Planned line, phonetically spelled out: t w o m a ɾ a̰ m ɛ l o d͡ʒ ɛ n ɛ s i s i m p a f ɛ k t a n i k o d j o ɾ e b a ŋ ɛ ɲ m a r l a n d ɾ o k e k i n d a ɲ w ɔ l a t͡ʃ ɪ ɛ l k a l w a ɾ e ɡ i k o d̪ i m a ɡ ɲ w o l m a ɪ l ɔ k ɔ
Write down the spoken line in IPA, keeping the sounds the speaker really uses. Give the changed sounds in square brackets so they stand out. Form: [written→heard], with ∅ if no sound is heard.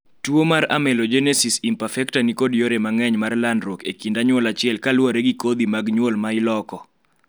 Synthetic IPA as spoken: t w o m a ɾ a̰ m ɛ l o d͡ʒ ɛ n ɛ s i s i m p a f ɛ k t a n i k o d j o ɾ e [b→m] a ŋ ɛ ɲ m a r l a n d ɾ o k e k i n d a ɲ w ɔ l a t͡ʃ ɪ ɛ l k a l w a ɾ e ɡ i k o d̪ i m a ɡ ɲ w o l m a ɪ l ɔ k ɔ